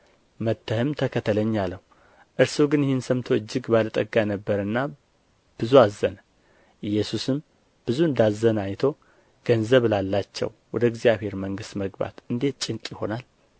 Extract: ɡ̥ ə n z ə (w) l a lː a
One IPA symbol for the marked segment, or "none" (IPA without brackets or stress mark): β